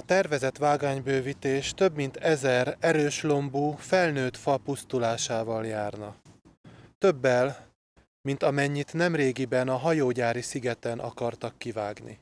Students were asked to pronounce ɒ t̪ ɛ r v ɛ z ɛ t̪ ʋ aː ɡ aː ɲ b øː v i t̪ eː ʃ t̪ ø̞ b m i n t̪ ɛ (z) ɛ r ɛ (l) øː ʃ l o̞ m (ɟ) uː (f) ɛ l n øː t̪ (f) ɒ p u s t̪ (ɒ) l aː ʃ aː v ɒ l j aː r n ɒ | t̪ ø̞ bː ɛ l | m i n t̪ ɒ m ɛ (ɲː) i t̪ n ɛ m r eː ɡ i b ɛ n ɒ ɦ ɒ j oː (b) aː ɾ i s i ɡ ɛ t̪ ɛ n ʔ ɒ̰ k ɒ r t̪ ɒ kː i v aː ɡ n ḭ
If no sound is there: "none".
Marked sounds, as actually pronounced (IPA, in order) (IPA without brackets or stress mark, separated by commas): z, ɾ, b, f, f, u, ɲː, ɟ